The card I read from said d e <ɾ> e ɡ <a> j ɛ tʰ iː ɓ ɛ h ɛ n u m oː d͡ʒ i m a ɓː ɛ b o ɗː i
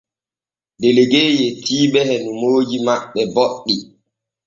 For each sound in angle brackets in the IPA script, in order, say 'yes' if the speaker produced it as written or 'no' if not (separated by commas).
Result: no, no